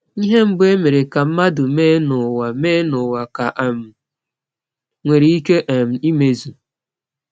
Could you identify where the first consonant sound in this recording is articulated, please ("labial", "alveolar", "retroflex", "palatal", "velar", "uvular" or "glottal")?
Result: glottal